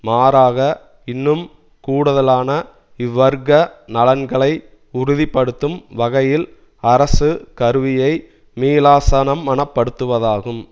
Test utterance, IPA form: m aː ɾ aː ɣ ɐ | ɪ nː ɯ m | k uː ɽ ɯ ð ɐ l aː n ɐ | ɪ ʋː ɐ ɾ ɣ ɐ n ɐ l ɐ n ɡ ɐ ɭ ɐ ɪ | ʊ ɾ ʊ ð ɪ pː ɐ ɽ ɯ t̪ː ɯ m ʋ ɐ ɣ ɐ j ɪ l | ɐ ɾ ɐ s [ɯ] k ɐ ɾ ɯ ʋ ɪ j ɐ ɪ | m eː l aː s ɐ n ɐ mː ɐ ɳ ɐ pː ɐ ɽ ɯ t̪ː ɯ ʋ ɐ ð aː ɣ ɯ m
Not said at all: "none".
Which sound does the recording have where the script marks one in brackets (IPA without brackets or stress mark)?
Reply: ɯ